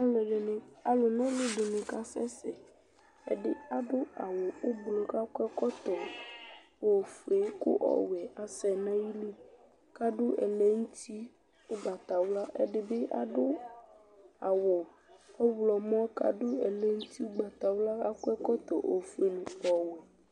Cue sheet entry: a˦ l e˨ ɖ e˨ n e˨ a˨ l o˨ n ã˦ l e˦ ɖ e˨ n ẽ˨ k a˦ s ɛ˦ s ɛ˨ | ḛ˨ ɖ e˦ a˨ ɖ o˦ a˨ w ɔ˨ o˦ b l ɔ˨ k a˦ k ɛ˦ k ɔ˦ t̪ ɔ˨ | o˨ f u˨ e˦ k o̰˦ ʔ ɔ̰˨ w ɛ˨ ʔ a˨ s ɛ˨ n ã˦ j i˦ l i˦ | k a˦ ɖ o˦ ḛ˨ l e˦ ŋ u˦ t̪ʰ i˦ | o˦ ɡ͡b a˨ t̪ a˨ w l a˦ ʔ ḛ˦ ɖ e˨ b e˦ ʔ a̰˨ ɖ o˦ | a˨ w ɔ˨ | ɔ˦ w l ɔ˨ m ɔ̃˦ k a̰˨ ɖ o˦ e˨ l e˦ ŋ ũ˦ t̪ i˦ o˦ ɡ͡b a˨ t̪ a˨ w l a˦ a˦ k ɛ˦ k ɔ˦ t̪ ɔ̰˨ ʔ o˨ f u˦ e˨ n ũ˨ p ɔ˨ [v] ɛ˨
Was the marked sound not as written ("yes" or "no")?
yes